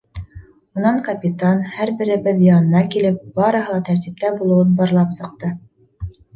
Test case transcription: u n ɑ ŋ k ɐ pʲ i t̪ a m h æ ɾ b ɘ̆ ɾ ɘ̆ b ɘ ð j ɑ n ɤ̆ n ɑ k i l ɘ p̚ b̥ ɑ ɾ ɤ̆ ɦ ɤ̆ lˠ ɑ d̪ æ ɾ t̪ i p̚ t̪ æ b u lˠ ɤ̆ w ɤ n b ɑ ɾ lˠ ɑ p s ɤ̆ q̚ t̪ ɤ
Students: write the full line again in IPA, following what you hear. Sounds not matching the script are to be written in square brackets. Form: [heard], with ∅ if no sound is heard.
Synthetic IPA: u n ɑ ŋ k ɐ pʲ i t̪ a [n] h æ ɾ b ɘ̆ ɾ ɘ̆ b ɘ ð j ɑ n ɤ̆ n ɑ k i l ɘ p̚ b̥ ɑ ɾ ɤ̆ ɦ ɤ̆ lˠ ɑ [t̪] æ ɾ t̪ i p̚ t̪ æ b u lˠ ɤ̆ w ɤ n b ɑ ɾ lˠ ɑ p s ɤ̆ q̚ t̪ ɤ